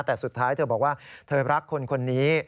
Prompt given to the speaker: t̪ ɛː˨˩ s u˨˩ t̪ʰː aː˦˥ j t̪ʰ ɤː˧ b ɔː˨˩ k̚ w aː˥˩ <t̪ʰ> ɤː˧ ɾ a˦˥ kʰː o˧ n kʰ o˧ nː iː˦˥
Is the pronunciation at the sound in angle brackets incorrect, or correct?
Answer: correct